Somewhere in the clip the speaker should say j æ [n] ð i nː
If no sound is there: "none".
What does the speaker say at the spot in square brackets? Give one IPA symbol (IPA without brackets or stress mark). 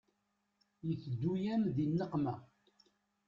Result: m